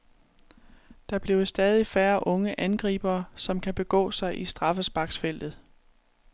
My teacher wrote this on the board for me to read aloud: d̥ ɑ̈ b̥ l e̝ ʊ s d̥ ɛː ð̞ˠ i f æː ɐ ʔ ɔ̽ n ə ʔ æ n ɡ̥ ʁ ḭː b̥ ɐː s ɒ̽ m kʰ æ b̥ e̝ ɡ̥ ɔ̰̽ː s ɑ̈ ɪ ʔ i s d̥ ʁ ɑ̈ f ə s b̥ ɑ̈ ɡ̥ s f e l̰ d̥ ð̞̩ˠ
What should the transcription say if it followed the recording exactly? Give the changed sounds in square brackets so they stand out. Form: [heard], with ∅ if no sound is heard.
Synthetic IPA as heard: d̥ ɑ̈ b̥ l e̝ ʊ s d̥ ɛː ð̞ˠ i f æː ɐ ʔ ɔ̽ [ŋ] ə ʔ æ n ɡ̥ ʁ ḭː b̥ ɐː s ɒ̽ m kʰ æ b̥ e̝ ɡ̥ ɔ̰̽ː s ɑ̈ ɪ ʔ i s d̥ ʁ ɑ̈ f ə s b̥ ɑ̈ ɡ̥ s f e l̰ d̥ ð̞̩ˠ